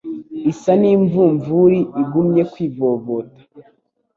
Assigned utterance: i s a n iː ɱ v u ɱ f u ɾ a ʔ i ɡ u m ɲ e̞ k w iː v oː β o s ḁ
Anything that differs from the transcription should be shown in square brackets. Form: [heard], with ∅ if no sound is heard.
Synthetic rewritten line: i s a n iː ɱ v u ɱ [v] u ɾ [i] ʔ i ɡ u m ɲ e̞ k w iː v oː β o [t] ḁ